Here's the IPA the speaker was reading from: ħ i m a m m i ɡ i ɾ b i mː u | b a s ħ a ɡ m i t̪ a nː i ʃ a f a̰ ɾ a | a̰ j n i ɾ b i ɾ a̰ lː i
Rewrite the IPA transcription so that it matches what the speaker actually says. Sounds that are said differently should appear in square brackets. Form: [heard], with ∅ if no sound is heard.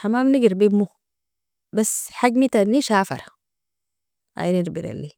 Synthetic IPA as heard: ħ [a] m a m [n] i ɡ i ɾ b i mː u | b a s ħ a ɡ m i t̪ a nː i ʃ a f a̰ ɾ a | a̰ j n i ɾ b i ɾ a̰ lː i

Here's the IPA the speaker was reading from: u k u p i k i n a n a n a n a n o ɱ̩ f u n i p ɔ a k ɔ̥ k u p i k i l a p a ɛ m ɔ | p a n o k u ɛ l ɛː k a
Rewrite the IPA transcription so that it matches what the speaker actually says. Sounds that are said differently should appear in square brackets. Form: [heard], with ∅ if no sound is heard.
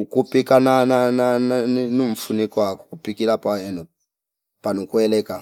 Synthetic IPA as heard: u k u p i k [a] n a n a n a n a n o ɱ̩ f u n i [k] ɔ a k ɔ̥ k u p i k i l a p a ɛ [n] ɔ | p a n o k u ɛ l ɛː k a

